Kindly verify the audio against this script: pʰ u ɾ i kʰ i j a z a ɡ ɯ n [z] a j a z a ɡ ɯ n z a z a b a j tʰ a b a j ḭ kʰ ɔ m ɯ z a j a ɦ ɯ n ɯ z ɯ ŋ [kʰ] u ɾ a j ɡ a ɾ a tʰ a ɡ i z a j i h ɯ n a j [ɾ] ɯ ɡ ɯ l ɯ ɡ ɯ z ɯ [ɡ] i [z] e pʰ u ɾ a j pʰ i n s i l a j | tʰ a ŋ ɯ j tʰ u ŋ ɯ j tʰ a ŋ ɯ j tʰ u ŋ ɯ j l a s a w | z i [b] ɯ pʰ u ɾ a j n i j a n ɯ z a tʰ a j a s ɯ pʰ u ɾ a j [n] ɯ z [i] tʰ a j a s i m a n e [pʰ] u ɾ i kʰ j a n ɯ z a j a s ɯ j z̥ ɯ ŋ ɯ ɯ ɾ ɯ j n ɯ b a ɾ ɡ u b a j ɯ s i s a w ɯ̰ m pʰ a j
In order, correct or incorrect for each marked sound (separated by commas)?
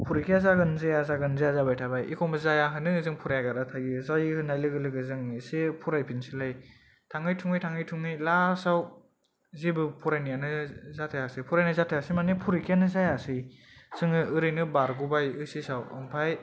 correct, incorrect, incorrect, incorrect, incorrect, correct, correct, incorrect, correct